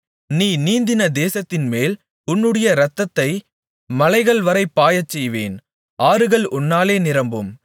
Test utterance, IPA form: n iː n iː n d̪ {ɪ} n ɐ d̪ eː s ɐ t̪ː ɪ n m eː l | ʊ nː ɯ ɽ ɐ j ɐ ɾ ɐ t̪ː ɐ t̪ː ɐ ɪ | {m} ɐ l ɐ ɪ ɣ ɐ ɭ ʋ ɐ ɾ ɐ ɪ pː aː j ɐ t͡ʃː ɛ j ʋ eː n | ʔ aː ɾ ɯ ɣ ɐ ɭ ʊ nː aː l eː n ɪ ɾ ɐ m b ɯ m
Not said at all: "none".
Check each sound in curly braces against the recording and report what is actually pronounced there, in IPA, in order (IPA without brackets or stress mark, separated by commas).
ɪ, m